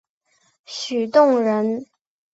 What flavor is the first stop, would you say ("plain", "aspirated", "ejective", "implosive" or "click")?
plain